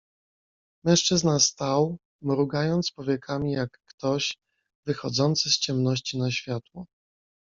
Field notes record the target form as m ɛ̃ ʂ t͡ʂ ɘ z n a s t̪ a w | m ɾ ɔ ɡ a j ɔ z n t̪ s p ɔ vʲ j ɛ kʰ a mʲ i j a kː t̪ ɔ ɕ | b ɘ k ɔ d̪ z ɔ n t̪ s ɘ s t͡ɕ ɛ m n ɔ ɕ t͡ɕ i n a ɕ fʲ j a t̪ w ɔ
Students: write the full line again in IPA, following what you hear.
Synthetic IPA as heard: m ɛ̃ ʂ t͡ʂ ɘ z n a s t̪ a w | m ɾ u ɡ a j ɔ n t̪ s p ɔ vʲ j ɛ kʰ a mʲ i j a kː t̪ ɔ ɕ | v ɘ x ɔ d̪ z ɔ n t̪ s ɘ s t͡ɕ ɛ m n ɔ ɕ t͡ɕ i n a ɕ fʲ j a t̪ w ɔ